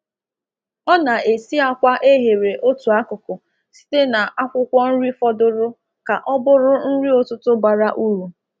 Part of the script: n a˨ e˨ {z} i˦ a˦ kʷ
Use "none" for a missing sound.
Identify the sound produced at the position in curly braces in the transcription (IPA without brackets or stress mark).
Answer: s